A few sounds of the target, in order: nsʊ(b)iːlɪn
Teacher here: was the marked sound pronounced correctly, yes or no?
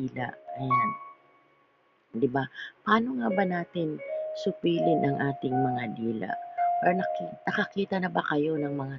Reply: no